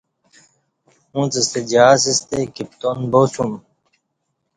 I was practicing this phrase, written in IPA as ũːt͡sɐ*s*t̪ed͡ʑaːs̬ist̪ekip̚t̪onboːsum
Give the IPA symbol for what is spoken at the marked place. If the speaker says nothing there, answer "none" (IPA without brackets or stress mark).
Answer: s